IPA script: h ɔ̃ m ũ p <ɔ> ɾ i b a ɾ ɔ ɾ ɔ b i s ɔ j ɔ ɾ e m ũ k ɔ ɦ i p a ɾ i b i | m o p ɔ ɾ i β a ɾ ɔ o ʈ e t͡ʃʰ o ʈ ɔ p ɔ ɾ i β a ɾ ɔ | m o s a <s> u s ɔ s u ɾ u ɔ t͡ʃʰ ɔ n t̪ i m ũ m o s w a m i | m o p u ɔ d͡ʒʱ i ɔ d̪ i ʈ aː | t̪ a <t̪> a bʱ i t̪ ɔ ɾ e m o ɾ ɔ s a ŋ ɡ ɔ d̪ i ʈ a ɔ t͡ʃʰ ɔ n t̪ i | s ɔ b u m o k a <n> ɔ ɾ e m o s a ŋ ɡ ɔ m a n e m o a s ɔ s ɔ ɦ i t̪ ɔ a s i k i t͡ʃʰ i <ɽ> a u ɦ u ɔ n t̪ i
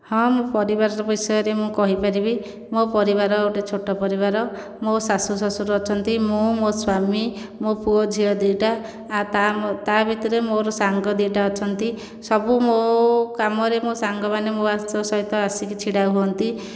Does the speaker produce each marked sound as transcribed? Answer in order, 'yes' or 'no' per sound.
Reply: yes, yes, yes, no, yes

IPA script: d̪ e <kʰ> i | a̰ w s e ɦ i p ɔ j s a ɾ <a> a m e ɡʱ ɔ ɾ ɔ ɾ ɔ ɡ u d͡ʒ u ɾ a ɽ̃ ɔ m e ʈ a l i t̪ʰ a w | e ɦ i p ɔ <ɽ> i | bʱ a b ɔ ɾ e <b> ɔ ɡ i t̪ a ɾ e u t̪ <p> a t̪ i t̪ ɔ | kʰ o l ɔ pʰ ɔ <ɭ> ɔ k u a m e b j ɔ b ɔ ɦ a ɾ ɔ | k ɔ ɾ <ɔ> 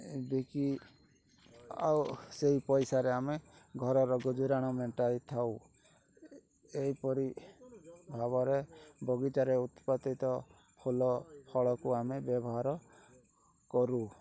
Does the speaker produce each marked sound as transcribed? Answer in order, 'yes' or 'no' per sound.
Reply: no, no, no, yes, yes, yes, no

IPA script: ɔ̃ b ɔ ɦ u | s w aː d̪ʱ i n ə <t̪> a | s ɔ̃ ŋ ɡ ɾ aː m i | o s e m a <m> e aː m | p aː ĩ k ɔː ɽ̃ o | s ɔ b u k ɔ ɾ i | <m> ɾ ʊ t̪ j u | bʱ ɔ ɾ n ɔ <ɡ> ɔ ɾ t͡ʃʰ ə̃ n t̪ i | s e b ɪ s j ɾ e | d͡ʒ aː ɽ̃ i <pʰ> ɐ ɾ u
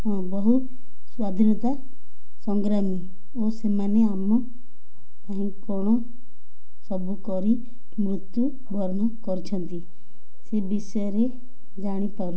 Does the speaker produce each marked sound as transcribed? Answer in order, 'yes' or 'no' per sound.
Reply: yes, no, yes, no, no

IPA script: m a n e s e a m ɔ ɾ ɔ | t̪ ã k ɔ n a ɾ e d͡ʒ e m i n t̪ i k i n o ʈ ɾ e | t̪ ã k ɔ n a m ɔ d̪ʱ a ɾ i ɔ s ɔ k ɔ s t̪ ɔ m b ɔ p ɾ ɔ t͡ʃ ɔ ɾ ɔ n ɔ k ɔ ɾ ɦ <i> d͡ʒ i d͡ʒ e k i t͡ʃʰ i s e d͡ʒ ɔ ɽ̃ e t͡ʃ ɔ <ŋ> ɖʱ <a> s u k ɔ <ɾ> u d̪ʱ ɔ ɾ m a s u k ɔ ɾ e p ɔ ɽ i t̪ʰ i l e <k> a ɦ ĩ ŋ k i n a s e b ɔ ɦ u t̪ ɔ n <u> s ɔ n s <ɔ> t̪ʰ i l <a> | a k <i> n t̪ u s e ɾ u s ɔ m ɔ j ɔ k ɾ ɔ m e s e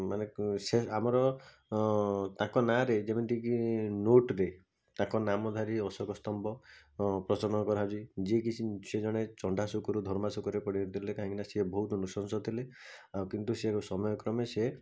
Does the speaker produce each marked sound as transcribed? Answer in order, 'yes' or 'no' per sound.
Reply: no, no, yes, yes, yes, yes, yes, no, yes

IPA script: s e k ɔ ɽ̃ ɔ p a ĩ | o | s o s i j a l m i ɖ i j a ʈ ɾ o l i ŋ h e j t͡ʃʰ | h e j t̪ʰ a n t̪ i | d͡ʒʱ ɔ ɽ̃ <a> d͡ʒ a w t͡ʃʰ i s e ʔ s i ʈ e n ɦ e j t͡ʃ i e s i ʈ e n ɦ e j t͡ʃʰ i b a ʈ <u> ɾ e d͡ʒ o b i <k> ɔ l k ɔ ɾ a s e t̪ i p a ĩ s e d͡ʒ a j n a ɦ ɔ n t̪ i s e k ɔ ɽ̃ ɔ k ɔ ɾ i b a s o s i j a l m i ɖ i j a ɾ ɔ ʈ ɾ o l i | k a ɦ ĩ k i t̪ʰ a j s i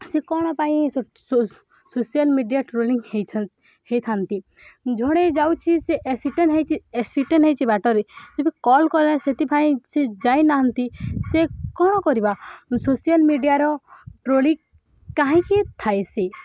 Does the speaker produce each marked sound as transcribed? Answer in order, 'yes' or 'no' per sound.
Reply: no, no, yes

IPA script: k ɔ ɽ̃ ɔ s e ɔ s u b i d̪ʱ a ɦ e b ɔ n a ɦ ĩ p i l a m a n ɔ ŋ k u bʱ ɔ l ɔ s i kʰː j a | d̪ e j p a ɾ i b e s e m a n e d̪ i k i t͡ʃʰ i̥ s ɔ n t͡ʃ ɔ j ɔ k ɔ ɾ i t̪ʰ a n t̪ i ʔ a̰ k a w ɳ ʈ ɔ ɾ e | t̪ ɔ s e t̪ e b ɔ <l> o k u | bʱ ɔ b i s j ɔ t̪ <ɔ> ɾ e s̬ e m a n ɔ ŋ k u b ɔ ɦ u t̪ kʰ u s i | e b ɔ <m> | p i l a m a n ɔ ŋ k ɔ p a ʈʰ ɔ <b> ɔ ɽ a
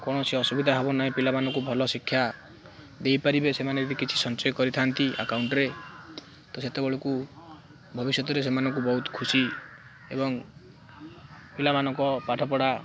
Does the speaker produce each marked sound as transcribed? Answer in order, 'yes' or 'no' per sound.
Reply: no, yes, no, no

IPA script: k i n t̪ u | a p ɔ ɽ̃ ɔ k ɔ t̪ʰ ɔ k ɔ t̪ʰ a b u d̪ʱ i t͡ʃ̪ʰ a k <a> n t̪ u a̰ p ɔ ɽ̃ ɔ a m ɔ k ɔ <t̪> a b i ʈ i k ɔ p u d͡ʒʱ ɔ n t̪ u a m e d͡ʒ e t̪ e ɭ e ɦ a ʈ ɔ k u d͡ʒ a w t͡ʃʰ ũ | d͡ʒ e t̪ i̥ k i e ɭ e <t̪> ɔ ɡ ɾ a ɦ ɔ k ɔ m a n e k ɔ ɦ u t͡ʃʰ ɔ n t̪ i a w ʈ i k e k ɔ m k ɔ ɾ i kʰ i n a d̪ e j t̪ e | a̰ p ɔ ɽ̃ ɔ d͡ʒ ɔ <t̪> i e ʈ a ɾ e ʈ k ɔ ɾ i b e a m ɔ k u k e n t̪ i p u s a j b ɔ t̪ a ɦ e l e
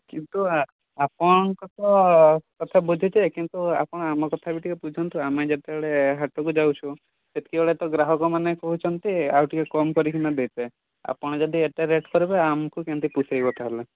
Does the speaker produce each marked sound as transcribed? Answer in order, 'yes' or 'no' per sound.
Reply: no, no, yes, no

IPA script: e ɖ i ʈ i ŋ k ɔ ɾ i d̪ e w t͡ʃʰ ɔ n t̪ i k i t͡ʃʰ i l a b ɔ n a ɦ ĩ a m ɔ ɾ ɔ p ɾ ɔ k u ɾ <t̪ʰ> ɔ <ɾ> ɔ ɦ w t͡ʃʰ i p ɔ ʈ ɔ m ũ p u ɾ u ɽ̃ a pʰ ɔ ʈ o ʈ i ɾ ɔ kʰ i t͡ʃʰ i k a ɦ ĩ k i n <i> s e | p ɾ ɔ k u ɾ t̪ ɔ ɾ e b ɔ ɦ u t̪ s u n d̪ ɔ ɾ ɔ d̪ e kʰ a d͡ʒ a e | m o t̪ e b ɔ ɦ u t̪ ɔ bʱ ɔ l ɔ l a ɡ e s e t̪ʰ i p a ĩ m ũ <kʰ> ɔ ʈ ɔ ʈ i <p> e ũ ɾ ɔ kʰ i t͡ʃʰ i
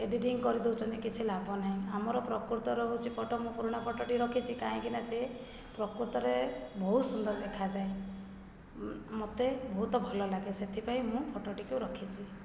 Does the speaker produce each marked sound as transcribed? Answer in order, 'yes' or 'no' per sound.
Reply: no, yes, no, no, no

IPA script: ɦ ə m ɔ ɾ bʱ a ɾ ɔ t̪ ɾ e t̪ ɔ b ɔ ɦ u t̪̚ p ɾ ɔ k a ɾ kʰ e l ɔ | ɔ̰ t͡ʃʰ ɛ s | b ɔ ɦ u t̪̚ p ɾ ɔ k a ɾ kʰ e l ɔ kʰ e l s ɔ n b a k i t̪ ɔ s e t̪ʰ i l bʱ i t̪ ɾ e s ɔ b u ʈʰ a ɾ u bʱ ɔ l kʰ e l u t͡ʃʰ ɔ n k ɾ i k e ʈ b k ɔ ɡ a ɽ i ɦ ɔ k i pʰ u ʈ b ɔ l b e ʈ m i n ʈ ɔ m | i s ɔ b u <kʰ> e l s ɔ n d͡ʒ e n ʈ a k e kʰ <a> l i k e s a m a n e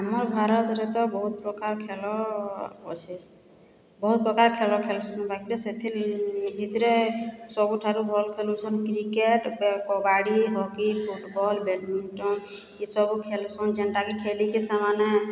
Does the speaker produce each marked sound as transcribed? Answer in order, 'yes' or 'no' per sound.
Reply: yes, no

